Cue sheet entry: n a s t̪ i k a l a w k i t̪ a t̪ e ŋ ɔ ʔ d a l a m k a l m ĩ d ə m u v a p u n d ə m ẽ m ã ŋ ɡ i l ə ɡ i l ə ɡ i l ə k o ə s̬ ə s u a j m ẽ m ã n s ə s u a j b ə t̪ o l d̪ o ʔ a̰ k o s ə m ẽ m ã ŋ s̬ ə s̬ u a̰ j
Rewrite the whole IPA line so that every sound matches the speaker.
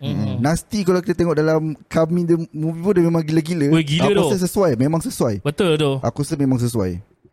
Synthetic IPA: n a s t̪ i k a l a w k i t̪ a t̪ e ŋ ɔ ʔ d a l a m k a m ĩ d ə m u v i p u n d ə m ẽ m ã ŋ ɡ i l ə ɡ i l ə ɡ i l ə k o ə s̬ ə s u a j m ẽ m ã ŋ s ə s u a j b ə t̪ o l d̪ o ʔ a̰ k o s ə m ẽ m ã ŋ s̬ ə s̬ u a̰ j